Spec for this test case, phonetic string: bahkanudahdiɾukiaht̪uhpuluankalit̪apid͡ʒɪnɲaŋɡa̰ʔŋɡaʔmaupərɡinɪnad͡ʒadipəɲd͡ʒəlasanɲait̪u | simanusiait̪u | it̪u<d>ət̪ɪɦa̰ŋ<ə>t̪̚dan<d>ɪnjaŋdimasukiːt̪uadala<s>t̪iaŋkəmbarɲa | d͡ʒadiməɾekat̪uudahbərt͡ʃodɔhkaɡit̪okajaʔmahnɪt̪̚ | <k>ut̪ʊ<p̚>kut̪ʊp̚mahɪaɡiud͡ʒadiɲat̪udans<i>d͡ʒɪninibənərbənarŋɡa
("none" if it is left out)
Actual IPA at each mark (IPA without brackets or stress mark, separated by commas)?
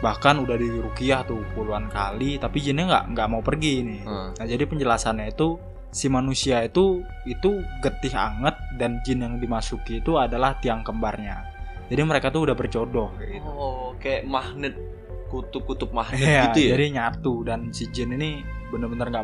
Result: ɡ, ə, d͡ʒ, h, k, p̚, i